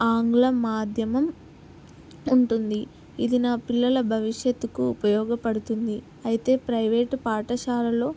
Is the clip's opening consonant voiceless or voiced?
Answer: voiced